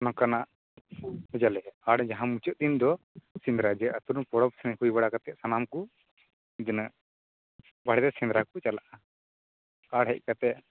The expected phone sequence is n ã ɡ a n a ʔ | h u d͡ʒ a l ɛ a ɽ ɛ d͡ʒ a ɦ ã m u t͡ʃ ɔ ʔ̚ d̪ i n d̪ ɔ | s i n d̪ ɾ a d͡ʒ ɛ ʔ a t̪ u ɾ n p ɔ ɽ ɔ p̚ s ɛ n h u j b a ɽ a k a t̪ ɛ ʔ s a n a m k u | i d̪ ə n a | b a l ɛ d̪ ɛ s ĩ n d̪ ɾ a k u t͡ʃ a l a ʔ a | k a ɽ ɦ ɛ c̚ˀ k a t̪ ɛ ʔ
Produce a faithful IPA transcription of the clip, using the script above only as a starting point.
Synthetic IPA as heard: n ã k a n a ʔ | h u d͡ʒ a l ɛ a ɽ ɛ d͡ʒ a ɦ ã m u t͡ʃ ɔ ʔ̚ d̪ i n d̪ ɔ | s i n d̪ ɾ a d͡ʒ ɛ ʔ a t̪ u ɾ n p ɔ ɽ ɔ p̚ s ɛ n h u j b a ɽ a k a t̪ ɛ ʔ s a n a m k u | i d̪ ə n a | b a ɽ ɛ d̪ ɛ s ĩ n d̪ ɾ a k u t͡ʃ a l a ʔ a | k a ɽ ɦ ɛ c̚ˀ k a t̪ ɛ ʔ